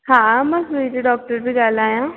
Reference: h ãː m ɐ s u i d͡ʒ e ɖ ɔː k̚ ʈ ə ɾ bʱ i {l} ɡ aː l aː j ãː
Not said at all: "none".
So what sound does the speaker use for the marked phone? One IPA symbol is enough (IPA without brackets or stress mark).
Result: none